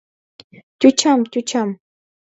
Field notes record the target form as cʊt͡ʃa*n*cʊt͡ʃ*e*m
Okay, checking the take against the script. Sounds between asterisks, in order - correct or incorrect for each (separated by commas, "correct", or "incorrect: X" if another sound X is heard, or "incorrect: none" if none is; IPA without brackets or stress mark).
incorrect: m, incorrect: a